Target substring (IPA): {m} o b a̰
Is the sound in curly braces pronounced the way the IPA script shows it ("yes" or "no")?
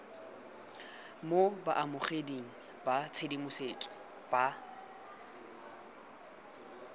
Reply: yes